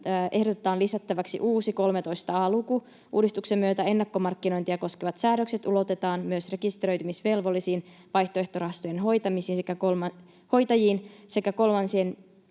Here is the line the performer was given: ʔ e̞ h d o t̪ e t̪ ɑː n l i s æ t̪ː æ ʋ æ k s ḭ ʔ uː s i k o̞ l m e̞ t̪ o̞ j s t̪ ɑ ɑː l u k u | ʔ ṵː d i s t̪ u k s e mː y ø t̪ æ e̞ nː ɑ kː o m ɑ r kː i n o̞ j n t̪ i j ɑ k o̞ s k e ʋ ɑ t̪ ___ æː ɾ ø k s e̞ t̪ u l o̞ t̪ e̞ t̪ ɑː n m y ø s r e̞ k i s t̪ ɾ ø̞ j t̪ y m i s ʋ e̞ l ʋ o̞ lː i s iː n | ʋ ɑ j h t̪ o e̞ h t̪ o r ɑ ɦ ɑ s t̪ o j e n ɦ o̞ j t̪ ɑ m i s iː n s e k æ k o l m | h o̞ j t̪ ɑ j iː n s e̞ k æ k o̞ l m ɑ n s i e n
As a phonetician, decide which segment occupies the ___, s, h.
s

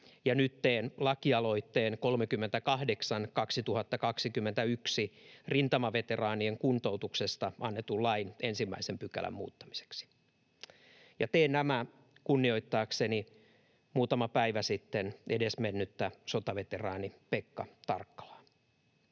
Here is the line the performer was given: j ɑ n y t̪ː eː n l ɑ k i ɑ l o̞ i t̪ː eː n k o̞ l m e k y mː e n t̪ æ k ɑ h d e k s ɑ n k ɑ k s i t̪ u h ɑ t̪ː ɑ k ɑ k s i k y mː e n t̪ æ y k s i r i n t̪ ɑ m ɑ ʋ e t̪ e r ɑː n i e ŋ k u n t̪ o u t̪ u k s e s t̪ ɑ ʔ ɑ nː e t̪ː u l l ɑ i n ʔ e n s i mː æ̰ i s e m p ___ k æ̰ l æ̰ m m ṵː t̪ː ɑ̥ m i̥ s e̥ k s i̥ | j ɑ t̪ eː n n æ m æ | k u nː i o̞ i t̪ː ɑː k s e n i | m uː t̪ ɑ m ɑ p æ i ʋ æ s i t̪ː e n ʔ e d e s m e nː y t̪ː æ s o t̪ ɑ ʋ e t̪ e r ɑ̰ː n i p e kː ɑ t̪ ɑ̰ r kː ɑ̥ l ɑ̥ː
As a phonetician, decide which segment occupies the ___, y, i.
y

